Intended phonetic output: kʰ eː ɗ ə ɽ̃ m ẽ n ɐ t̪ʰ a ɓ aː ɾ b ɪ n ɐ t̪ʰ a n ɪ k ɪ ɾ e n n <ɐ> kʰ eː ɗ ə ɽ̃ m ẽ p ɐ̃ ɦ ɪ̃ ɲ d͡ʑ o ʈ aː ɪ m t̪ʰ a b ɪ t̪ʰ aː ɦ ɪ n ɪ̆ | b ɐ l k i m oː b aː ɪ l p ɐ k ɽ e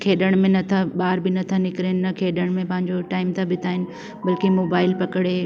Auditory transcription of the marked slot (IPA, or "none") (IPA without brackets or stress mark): ɐ